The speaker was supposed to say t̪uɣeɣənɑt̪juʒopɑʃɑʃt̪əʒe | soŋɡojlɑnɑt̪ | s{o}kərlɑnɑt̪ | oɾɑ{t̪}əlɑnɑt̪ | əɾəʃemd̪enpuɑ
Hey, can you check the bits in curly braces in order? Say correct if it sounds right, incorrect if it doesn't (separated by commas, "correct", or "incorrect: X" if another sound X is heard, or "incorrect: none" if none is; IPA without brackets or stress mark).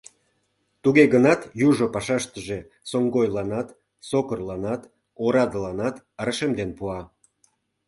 correct, incorrect: d̪